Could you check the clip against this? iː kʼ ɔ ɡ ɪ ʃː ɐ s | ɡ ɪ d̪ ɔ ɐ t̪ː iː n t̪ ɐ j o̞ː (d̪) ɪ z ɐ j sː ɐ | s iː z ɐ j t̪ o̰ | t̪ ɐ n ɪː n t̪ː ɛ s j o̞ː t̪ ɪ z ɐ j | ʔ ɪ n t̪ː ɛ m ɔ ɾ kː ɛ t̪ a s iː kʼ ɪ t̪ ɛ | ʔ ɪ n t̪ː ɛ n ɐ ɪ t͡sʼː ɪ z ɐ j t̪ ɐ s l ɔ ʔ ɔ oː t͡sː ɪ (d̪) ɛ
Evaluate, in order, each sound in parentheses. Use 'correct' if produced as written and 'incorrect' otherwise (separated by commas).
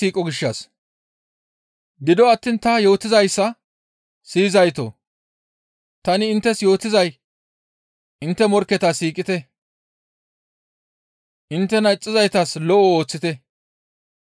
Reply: incorrect, incorrect